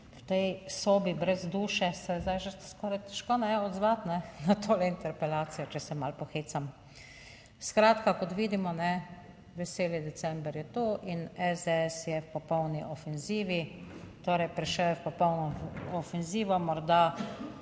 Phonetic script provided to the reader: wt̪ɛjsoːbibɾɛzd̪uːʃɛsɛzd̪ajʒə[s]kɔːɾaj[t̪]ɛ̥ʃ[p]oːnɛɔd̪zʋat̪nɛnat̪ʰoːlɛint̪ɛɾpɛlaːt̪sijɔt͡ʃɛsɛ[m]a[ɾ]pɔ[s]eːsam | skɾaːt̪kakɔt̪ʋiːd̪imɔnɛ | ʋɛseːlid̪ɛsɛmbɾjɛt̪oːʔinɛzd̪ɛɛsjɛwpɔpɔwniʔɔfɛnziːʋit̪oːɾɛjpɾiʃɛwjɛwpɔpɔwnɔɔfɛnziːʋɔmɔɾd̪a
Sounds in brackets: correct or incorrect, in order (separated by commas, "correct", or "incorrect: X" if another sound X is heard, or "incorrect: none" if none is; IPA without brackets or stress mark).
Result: correct, correct, incorrect: k, correct, incorrect: l, incorrect: x